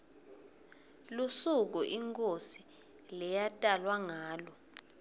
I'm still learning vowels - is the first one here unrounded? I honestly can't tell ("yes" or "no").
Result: no